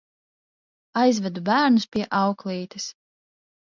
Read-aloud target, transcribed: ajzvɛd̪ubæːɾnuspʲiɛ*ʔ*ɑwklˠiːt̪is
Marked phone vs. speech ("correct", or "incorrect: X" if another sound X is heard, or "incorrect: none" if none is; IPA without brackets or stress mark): correct